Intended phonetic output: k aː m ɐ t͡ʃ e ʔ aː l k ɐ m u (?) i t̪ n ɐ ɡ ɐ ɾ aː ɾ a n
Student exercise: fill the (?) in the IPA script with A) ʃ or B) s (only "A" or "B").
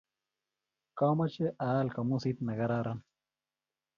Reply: B